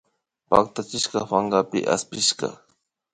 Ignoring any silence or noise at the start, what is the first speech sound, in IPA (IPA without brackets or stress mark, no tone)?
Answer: p